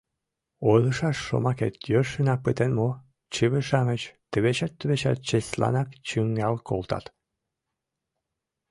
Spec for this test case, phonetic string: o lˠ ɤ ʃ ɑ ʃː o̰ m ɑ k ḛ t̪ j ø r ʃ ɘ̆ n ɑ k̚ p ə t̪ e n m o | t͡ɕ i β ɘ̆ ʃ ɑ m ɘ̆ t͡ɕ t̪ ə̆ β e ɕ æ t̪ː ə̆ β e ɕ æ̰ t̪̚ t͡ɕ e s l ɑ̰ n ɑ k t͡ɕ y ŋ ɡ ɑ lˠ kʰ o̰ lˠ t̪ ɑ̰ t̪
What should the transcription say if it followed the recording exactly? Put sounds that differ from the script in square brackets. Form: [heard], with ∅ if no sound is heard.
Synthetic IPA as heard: o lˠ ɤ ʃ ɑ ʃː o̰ m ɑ k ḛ t̪ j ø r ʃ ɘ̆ n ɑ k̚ p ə t̪ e n m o | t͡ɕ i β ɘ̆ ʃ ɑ m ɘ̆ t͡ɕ t̪ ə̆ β e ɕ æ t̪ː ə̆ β e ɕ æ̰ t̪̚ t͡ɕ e s l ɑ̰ n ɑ k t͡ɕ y ŋ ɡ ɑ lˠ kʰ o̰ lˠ t̪ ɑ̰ t̪